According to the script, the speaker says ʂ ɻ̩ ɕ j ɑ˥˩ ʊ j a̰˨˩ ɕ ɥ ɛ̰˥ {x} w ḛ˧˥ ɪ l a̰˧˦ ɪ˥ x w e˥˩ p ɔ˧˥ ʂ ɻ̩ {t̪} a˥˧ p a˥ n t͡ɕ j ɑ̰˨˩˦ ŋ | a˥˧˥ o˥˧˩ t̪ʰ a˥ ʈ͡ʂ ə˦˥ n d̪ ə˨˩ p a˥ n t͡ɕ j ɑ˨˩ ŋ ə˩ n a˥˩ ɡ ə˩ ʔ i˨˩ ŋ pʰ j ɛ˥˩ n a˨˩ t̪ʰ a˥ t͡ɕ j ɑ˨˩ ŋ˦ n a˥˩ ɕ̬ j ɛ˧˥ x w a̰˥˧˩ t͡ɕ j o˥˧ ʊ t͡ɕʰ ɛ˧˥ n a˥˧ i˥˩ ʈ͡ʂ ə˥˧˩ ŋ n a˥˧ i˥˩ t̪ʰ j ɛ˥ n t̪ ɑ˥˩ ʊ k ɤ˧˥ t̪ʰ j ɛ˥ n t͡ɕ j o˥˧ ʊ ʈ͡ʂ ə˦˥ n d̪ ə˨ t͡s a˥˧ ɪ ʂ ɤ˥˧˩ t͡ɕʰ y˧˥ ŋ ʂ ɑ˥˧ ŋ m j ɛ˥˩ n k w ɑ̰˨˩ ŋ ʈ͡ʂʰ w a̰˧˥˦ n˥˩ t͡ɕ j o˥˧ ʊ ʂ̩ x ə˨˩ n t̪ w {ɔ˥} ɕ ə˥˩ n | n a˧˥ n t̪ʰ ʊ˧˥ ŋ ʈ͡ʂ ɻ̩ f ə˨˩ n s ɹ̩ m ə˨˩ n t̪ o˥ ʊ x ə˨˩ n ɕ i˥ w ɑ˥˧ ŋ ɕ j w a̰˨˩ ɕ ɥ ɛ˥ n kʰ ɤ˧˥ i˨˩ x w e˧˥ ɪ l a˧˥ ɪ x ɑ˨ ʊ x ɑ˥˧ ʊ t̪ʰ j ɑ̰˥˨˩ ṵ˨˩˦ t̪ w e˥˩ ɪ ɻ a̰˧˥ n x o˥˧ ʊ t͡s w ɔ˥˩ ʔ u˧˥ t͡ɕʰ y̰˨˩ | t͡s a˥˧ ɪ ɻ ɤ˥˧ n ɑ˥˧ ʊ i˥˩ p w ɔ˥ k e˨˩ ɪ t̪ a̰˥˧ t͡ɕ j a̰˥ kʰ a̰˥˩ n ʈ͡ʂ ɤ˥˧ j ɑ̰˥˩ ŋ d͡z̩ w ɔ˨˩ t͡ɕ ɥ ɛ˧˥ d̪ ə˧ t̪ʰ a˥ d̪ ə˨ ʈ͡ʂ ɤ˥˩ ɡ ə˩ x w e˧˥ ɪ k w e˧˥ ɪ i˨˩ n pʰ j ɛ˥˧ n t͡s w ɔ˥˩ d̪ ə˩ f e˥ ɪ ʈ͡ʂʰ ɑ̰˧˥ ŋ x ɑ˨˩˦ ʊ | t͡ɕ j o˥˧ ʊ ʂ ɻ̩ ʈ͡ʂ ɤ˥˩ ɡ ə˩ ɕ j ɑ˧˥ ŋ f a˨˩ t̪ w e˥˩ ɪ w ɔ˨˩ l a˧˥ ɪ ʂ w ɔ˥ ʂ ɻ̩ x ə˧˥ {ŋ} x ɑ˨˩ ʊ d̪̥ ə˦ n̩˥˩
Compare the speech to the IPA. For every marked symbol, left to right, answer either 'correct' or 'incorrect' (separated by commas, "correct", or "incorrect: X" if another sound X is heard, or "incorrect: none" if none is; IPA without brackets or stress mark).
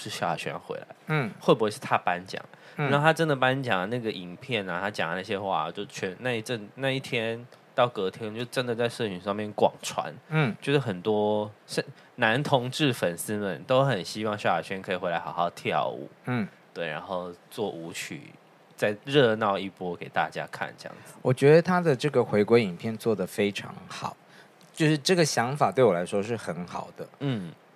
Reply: correct, incorrect: t̪ʰ, correct, incorrect: n